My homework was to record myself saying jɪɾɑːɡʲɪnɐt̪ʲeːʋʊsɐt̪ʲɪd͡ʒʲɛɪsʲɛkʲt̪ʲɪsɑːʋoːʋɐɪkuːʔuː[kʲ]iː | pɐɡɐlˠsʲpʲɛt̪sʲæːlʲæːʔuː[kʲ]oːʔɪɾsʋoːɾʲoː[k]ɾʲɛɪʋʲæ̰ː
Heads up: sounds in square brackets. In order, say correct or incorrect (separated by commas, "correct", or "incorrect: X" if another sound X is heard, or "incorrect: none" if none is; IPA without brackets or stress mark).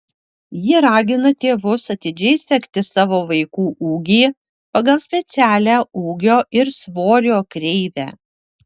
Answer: incorrect: ɡʲ, incorrect: ɡʲ, correct